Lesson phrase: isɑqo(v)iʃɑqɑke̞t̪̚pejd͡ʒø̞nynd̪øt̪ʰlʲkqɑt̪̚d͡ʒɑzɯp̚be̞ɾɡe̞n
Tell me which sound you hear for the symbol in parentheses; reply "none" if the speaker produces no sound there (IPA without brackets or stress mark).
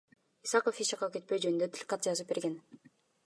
f